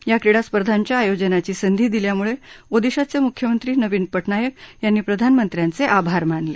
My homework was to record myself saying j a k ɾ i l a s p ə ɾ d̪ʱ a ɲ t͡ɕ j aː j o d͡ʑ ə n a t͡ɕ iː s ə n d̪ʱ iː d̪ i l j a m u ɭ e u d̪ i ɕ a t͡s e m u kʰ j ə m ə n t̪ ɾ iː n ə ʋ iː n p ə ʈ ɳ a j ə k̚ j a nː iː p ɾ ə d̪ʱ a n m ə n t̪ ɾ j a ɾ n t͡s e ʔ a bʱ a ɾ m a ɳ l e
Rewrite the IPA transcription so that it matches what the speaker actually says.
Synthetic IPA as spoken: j a k ɾ i ɽ a s p ə ɾ d̪ʱ a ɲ t͡ɕ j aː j o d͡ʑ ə n a t͡ɕ iː s ə n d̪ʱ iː d̪ i l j a m u ɭ e o d̪ i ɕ a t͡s e m u kʰ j ə m ə n t̪ ɾ iː n ə ʋ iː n p ə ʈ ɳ a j ə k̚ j a nː iː p ɾ ə d̪ʱ a n m ə n t̪ ɾ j a n t͡s e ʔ a bʱ a ɾ m a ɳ l e